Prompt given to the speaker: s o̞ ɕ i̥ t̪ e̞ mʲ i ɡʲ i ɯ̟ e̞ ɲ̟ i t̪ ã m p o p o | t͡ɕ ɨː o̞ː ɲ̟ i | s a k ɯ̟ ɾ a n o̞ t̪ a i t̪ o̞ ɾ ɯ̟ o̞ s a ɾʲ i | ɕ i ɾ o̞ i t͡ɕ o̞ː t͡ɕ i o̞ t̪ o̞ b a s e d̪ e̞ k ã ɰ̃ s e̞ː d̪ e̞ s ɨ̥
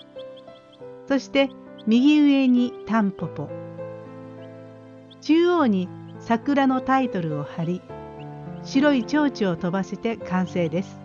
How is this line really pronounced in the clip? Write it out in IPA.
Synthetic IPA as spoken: s o̞ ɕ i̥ t̪ e̞ mʲ i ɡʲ i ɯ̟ e̞ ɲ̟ i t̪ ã m p o p o | t͡ɕ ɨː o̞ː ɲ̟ i | s a k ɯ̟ ɾ a n o̞ t̪ a i t̪ o̞ ɾ ɯ̟ o̞ h a ɾʲ i | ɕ i ɾ o̞ i t͡ɕ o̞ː t͡ɕ i o̞ t̪ o̞ b a s e t̪ e̞ k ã ɰ̃ s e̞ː d̪ e̞ s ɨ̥

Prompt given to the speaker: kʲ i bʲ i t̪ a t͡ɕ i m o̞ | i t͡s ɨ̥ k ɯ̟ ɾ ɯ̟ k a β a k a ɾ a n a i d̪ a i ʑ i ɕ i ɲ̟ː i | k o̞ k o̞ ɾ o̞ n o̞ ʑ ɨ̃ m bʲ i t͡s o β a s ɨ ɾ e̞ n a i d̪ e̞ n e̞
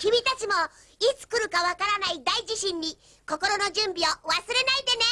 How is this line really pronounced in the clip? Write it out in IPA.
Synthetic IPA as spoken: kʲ i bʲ i t̪ a t͡ɕ i m o̞ | i t͡s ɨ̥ k ɯ̟ ɾ ɯ̟ k a β a k a ɾ a n a i d̪ a i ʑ i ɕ ĩ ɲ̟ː i | k o̞ k o̞ ɾ o̞ n o̞ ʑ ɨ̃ m bʲ i o β a s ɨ ɾ e̞ n a i d̪ e̞ n e̞

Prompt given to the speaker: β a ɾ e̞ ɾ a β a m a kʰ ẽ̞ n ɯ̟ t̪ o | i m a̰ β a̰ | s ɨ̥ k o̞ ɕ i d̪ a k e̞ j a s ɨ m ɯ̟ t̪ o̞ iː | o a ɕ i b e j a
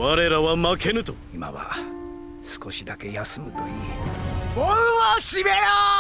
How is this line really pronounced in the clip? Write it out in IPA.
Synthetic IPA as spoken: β a ɾ e̞ ɾ a β a m a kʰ e̞ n ɯ̟ t̪ o | i m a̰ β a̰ | s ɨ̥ k o̞ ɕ i d̪ a k e̞ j a s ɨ m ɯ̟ t̪ o̞ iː | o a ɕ i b e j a

